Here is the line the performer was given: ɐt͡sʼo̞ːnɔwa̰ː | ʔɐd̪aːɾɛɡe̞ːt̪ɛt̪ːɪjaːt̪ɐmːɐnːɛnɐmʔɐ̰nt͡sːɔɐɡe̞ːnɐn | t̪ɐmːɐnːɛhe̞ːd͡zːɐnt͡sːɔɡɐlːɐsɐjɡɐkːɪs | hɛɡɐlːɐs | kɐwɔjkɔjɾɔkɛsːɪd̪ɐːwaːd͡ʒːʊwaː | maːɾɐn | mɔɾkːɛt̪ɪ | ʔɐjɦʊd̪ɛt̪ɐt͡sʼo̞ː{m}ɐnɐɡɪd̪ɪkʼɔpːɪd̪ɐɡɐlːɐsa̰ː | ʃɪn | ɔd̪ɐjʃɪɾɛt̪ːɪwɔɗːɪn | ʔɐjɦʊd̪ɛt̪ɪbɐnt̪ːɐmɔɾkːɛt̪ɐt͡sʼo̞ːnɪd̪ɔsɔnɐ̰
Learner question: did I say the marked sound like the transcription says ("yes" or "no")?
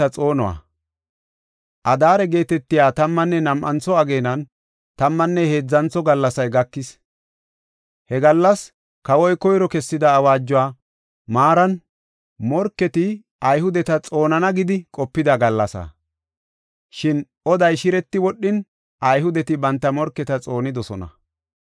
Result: no